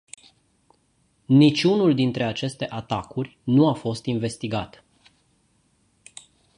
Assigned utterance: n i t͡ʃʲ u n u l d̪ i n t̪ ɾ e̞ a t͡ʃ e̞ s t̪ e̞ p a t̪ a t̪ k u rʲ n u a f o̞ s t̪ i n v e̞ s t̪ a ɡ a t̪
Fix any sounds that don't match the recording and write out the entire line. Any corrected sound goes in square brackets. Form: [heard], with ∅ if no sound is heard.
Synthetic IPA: n i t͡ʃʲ u n u l d̪ i n t̪ ɾ e̞ a t͡ʃ e̞ s t̪ e̞ [ʔ] a t̪ a [∅] k u rʲ n u a f o̞ s t̪ i n v e̞ s t̪ [i] ɡ a t̪

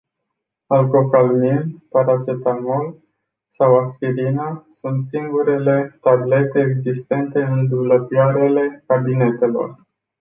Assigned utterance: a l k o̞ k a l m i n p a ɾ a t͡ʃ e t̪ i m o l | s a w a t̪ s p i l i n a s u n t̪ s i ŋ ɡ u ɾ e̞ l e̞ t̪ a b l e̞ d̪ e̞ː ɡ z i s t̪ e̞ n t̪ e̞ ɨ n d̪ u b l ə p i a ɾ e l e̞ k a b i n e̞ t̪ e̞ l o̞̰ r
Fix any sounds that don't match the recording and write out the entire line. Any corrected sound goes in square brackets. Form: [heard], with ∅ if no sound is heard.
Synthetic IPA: a l k o̞ k a l m i n p a ɾ a t͡ʃ e t̪ [a] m o l | s a w a [∅] s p i [ɾ] i n a s u n t̪ s i ŋ ɡ u ɾ e̞ l e̞ t̪ a b l e̞ [t̪] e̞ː ɡ z i s t̪ e̞ n t̪ e̞ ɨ n d̪ u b l ə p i a ɾ e l e̞ k a b i n e̞ t̪ e̞ l o̞̰ r

